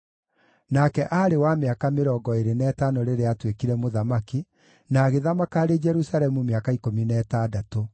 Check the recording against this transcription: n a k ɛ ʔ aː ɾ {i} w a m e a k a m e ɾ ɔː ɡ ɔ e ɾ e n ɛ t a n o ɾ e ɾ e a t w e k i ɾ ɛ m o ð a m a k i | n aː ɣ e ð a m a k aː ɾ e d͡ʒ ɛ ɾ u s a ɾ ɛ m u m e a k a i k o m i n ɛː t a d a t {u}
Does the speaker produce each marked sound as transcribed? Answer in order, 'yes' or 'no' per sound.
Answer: no, no

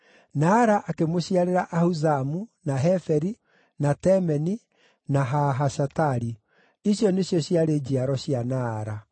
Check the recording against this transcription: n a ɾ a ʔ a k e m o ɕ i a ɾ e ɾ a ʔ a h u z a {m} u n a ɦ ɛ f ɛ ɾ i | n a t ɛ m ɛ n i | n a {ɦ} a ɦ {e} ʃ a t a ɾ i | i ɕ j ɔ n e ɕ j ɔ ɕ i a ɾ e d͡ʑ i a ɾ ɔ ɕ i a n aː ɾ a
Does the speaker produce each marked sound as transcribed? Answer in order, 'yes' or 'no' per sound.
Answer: yes, yes, no

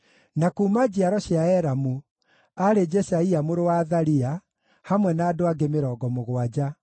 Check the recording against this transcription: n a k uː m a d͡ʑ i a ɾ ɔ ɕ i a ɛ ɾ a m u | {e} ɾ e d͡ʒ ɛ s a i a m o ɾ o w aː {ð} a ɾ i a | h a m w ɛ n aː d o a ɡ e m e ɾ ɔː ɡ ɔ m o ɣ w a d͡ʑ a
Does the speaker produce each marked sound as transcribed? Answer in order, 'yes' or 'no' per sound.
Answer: no, yes

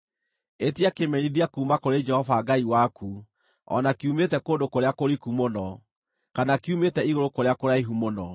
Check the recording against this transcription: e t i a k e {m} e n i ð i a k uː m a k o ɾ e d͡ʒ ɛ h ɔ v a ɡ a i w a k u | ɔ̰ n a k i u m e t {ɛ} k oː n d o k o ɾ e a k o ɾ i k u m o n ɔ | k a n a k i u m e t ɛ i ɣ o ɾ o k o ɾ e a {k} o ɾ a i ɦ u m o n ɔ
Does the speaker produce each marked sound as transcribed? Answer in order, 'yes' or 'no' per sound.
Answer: yes, yes, yes

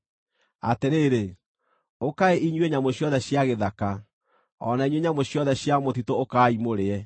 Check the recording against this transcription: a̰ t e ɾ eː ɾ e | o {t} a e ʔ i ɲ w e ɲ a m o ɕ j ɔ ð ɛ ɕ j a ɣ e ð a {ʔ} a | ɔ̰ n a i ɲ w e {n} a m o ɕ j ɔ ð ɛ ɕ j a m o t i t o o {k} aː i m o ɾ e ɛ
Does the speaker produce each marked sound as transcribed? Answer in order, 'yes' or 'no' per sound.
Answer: no, no, no, yes

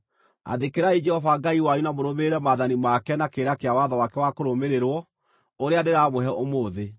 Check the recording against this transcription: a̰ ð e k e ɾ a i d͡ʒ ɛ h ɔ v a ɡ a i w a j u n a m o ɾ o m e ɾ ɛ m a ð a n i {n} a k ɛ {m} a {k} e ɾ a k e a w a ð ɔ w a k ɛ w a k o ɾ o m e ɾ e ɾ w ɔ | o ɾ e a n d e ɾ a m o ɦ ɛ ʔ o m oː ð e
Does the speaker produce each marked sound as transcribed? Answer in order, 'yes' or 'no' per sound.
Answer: no, no, yes

